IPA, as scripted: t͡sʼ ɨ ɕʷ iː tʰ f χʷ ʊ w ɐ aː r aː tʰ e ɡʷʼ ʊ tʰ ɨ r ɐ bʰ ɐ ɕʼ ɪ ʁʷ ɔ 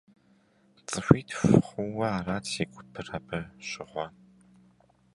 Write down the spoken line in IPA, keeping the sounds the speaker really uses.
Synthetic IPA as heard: t͡sʼ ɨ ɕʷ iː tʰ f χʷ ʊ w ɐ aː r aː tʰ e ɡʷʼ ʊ pʰ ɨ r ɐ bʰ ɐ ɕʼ ɪ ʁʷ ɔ